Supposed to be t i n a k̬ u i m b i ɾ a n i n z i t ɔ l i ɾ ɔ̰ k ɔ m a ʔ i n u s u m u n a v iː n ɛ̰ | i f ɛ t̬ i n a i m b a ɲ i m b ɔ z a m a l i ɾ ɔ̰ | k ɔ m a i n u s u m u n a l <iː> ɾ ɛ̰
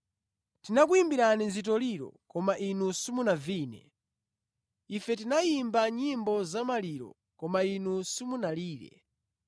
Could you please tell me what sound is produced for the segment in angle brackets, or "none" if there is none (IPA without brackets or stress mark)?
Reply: iː